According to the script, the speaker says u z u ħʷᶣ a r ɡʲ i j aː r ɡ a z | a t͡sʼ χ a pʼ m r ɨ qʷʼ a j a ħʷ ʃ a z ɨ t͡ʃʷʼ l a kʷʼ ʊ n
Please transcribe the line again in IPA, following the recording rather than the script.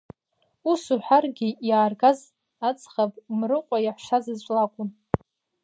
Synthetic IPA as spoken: u s u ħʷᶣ a r ɡʲ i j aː r ɡ a z | a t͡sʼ χ a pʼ m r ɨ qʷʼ a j a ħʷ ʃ a z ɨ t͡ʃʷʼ l a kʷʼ ʊ n

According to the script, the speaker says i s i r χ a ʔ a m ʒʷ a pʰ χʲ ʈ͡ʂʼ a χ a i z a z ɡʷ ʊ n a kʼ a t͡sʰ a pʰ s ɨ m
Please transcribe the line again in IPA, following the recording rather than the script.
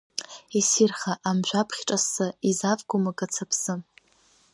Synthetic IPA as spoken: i s i r χ a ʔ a m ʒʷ a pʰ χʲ ʈ͡ʂʼ a s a i z a v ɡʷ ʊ m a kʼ a t͡sʰ a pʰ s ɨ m

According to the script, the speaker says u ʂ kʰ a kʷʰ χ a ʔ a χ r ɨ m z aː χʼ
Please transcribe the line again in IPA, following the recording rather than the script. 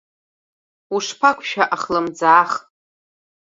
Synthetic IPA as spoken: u ʂ pʰ a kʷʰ ʃ a ʔ a χ l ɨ m d͡z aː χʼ

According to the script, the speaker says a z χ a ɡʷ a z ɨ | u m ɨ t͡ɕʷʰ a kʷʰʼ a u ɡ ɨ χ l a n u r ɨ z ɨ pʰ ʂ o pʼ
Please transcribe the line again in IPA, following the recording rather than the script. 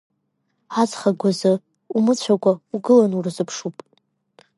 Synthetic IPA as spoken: a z χ a ɡʷ a z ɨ | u m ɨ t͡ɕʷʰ a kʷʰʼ a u ɡ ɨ l a n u r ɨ z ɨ pʰ ʂ u pʼ

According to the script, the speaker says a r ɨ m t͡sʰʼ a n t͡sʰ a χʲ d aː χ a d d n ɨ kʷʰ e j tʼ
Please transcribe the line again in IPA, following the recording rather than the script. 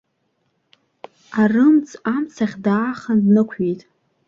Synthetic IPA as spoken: a r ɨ m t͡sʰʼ a m t͡sʰ a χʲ d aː χ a n d n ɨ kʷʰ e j tʼ

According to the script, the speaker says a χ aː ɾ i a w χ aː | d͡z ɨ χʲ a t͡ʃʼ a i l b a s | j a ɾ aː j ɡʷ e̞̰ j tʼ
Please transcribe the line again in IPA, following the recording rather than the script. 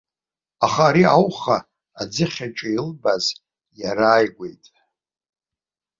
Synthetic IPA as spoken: a χ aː ɾ i a w χ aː | d͡z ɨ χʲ a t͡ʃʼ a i l b a z | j a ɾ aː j ɡʷ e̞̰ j tʼ

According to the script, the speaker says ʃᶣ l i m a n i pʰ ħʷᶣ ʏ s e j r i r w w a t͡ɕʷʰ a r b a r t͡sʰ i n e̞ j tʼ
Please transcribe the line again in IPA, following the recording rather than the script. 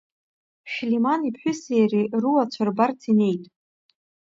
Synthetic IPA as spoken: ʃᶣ l i m a n i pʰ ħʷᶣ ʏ s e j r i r u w a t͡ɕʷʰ a r b a r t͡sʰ i n e̞ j tʼ

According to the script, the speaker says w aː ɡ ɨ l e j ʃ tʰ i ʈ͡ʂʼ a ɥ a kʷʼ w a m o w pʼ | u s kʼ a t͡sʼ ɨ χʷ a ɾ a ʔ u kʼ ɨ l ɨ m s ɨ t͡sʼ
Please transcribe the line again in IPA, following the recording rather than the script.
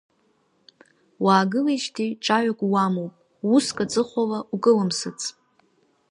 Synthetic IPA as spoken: w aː ɡ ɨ l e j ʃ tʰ i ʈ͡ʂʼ a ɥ a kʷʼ w a m o w pʼ | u s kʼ a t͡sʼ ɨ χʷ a l a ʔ u kʼ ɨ l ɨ m s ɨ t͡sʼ

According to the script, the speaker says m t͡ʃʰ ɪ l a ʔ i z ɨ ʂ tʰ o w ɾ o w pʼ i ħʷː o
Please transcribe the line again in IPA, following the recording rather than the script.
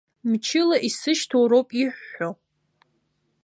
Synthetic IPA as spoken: m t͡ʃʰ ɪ l a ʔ i s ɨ ʃ tʰ o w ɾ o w pʼ i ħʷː o

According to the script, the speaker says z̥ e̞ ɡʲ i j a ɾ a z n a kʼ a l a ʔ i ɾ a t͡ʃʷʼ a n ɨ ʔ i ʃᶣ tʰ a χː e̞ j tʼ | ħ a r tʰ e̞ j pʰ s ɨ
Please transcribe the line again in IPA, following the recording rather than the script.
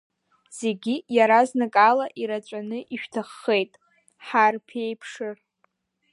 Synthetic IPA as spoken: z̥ e̞ ɡʲ i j a ɾ a z n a kʼ a l a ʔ i ɾ a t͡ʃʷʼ a n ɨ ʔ i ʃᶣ tʰ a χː e̞ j tʼ | ħ a r pʰ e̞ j pʰ ʂ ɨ

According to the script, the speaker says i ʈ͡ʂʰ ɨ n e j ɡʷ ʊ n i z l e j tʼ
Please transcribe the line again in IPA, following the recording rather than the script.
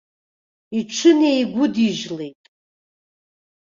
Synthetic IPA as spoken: i ʈ͡ʂʰ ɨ n e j ɡʷ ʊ d i ʒ l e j tʼ

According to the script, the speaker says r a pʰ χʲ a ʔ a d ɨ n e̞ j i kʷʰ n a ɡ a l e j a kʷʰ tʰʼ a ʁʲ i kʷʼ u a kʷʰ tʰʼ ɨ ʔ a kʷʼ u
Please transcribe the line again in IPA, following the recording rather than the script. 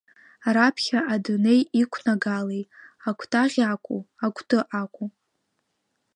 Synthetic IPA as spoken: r a pʰ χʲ a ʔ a d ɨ n e̞ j i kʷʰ n a ɡ a l e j a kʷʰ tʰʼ a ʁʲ a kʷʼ u a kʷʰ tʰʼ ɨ ʔ a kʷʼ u

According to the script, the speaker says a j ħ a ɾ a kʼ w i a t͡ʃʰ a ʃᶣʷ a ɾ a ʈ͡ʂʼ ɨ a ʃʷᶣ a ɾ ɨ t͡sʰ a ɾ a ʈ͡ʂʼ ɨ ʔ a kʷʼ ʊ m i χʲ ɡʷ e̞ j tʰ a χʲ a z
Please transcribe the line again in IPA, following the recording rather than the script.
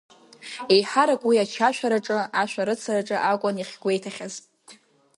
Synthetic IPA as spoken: e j ħ a ɾ a kʼ w i a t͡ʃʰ a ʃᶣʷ a ɾ a ʈ͡ʂʼ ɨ a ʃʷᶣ a ɾ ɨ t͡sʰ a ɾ a ʈ͡ʂʼ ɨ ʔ a kʷʼ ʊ n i χʲ ɡʷ e̞ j tʰ a χʲ a z

